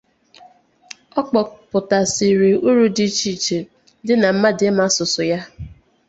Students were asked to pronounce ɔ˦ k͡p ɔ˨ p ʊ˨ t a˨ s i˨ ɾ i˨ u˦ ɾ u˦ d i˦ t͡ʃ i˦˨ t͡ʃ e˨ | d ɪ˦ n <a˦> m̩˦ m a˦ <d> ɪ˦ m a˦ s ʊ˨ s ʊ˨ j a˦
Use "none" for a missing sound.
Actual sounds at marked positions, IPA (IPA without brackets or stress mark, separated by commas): a˨, d